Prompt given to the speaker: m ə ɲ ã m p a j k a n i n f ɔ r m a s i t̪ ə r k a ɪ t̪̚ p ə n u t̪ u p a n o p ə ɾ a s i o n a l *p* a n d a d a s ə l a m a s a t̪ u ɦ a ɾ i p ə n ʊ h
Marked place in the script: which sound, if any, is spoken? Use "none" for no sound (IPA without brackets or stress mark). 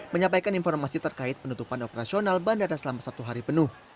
b